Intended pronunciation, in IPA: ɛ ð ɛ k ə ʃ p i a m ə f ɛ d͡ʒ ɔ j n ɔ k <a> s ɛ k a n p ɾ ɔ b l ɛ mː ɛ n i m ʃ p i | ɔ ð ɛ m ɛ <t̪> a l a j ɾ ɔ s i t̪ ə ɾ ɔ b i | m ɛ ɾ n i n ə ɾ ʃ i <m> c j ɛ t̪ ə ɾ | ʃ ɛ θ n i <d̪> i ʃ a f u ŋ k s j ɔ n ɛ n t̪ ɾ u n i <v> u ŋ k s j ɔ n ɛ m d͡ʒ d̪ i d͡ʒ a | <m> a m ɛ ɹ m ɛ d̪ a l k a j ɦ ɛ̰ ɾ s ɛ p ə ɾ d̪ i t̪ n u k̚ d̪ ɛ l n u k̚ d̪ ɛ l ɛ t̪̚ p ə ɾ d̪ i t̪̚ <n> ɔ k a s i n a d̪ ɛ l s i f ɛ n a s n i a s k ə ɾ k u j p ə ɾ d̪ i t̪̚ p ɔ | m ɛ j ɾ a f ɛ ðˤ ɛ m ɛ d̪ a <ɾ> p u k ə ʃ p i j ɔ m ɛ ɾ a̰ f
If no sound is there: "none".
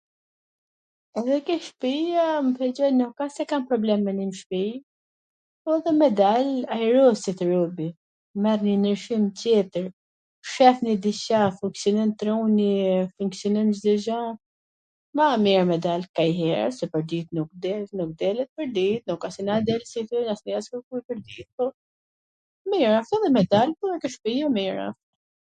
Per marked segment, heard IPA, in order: a, d̪, m, d̪, f, m, n, l

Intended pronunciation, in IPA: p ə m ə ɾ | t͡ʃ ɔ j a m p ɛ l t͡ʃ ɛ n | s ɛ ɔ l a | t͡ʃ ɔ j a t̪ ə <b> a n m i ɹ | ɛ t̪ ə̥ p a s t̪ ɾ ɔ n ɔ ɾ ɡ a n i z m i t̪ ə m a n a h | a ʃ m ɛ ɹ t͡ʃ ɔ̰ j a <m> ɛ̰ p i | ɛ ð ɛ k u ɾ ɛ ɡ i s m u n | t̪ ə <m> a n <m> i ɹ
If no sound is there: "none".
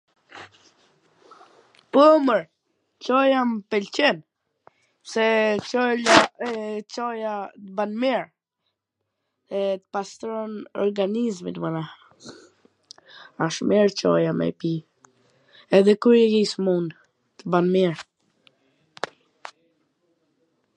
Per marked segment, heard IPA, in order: b, m, b, m

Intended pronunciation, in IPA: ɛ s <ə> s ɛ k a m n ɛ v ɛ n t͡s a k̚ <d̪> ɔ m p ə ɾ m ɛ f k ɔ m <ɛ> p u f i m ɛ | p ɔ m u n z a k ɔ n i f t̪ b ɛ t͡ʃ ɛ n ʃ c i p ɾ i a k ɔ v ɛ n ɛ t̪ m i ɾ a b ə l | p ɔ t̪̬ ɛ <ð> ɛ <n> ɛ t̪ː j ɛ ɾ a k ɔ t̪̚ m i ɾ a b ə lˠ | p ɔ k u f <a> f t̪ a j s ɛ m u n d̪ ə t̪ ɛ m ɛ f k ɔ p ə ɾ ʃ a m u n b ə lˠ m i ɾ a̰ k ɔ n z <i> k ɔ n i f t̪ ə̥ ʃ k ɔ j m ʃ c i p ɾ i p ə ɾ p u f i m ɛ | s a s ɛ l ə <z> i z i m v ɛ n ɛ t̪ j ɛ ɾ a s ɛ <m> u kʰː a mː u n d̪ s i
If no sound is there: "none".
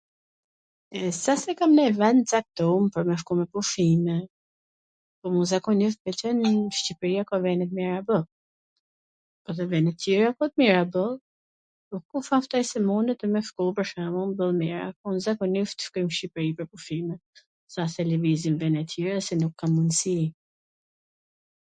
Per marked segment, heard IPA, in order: a, t̪, ɛ, v, n, a, a, v, n

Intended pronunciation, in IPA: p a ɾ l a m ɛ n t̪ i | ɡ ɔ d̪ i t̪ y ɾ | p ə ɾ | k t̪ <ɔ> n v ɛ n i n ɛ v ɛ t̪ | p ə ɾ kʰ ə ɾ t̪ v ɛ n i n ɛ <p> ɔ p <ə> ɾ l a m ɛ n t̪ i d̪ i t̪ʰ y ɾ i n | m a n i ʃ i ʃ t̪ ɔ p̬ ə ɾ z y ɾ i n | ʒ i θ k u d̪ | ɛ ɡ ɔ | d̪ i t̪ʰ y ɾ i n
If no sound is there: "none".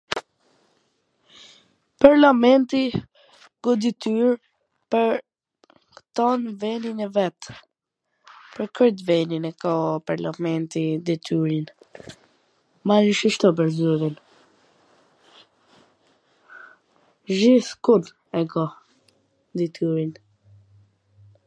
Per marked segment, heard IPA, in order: ɔ, k, a

